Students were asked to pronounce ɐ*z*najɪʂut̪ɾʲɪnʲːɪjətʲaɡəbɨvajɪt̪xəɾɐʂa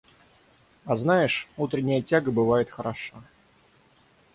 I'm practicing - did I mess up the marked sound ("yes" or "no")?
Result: no